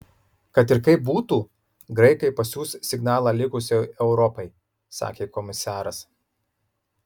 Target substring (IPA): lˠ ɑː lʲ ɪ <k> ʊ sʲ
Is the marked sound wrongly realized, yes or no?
no